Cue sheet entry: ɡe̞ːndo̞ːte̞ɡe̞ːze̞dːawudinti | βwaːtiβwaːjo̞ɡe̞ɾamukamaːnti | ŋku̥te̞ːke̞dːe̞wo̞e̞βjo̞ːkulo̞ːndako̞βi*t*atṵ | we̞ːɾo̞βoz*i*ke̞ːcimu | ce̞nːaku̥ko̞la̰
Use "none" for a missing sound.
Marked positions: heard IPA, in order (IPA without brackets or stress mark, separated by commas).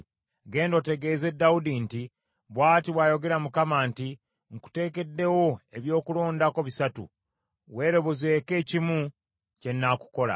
s, e